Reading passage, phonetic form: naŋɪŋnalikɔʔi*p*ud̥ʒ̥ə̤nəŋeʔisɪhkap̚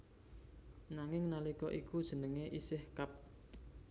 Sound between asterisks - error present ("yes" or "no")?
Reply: yes